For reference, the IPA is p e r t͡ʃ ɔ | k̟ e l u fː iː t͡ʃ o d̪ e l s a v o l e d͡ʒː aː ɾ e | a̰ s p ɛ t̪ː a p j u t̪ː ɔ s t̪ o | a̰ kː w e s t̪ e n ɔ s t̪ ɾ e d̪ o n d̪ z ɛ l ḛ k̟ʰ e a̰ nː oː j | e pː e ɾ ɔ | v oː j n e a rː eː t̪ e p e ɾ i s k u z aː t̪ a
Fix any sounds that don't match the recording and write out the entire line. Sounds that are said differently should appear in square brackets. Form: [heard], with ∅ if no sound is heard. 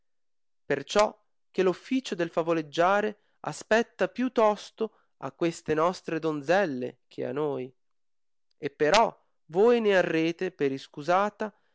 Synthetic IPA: p e r t͡ʃ ɔ | k̟ e l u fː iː t͡ʃ o d̪ e l [f] a v o l e d͡ʒː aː ɾ e | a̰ s p ɛ t̪ː a p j u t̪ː ɔ s t̪ o | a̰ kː w e s t̪ e n ɔ s t̪ ɾ e d̪ o n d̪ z ɛ [lː] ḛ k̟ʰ e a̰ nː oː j | e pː e ɾ ɔ | v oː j n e a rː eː t̪ e p e ɾ i s k u z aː t̪ a